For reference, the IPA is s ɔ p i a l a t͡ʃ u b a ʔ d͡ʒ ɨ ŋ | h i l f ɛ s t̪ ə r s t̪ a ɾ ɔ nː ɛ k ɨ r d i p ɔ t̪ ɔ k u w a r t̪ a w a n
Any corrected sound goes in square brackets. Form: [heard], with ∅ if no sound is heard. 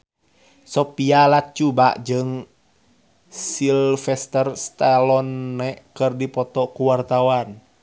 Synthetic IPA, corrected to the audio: s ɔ p i a l a t͡ʃ u b a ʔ d͡ʒ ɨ ŋ | [s] i l f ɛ s t̪ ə r s t̪ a [l] ɔ nː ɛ k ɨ r d i p ɔ t̪ ɔ k u w a r t̪ a w a n